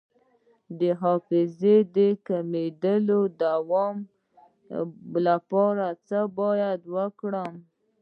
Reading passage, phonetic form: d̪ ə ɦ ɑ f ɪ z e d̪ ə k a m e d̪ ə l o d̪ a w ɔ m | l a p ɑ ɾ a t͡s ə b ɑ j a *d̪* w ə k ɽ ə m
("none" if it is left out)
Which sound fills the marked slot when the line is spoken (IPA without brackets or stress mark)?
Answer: d̪